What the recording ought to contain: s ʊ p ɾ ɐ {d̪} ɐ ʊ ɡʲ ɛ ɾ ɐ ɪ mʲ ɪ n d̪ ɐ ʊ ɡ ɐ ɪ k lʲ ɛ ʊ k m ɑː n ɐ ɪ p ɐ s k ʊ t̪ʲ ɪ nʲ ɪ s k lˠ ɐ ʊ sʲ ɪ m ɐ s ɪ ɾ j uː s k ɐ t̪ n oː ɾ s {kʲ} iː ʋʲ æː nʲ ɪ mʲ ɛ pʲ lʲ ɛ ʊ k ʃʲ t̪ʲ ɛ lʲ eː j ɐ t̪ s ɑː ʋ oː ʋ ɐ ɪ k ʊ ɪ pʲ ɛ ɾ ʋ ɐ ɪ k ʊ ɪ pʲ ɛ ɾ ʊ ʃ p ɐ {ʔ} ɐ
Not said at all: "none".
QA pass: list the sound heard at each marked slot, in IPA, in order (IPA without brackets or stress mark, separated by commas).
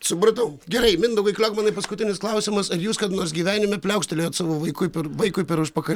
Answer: t̪, ɡʲ, k